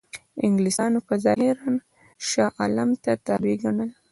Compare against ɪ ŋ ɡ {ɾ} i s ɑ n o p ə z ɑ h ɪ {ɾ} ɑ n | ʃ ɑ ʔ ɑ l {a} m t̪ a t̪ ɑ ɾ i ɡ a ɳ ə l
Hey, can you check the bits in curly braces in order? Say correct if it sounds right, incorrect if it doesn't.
incorrect, correct, correct

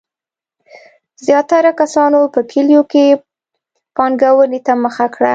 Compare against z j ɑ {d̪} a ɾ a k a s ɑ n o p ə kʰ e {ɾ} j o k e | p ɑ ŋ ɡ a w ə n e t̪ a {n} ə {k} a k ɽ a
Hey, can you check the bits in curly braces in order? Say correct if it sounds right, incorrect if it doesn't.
incorrect, incorrect, incorrect, incorrect

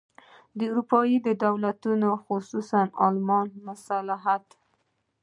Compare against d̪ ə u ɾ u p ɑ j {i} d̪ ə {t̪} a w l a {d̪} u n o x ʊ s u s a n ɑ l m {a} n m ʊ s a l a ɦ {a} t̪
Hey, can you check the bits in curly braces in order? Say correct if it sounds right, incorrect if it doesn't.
correct, incorrect, incorrect, incorrect, correct

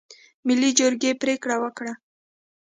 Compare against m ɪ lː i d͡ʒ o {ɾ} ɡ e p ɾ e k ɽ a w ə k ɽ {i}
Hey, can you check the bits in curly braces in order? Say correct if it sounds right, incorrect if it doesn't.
correct, incorrect

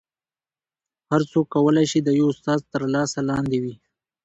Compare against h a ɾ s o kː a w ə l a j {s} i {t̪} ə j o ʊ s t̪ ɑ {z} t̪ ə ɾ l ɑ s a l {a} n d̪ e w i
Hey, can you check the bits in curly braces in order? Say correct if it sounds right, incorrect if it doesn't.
incorrect, incorrect, correct, incorrect

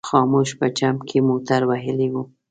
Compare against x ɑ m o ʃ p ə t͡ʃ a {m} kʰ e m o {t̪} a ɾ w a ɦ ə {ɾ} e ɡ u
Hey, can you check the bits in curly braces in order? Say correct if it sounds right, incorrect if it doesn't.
correct, correct, incorrect

